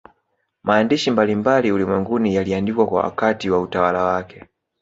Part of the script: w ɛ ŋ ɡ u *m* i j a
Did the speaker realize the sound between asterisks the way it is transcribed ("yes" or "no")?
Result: no